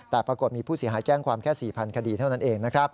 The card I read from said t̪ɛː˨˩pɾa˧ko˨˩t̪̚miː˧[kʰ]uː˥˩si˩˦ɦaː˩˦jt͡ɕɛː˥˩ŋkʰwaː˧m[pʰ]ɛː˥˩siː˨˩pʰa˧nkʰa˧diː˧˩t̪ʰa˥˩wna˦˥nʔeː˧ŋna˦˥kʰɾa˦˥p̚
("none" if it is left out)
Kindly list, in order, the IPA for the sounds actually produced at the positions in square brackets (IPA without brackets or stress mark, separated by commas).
pʰ, kʰ